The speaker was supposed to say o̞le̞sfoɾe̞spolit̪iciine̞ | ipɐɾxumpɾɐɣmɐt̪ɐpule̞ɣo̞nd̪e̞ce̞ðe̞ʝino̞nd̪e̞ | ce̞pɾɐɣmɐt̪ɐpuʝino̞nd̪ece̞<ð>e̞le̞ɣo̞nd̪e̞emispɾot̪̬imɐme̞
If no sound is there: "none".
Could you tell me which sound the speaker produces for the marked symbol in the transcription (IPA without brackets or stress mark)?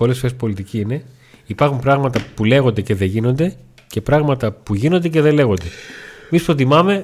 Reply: ð